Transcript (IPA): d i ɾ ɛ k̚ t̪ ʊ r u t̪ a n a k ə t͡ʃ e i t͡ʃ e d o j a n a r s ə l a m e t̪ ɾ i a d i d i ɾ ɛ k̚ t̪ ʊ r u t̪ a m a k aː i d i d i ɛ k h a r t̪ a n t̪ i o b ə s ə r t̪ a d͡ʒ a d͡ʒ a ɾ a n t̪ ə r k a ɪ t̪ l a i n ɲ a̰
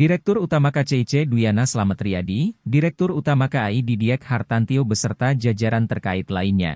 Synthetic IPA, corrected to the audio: d i ɾ ɛ k̚ t̪ ʊ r u t̪ a m a k a t͡ʃ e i t͡ʃ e d u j a n a s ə l a m a t̪ ɾ i a d i d i ɾ ɛ k̚ t̪ ʊ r u t̪ a m a k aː i d i d i ɛ k h a r t̪ a n t̪ i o b ə s ə r t̪ a d͡ʒ a d͡ʒ a ɾ a n t̪ ə r k a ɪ t̪ l a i n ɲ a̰